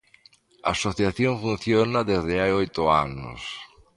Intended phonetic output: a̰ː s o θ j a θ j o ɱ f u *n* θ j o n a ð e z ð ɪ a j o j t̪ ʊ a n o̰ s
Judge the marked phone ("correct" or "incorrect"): correct